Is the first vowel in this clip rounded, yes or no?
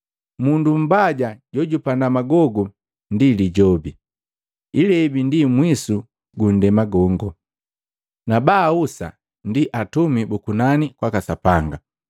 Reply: yes